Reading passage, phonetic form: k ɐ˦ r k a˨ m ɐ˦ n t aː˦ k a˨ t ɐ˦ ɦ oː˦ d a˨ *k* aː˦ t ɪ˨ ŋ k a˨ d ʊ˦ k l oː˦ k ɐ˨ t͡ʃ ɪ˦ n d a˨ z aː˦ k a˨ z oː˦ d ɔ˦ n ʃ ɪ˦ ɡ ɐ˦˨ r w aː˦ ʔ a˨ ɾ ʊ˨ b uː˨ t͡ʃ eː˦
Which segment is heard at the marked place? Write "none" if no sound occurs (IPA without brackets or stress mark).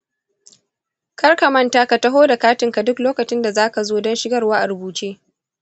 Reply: k